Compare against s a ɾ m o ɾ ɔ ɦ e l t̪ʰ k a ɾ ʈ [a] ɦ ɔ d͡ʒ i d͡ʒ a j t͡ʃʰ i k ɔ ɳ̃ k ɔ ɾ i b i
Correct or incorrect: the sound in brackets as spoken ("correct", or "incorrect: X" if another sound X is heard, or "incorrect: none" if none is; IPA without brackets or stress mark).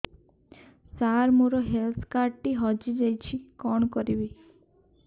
incorrect: i